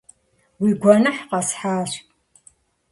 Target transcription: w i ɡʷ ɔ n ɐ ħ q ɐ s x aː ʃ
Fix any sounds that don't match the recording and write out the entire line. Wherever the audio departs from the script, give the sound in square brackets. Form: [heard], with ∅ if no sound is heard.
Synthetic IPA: w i ɡʷ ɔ n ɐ ħ q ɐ s [ħ] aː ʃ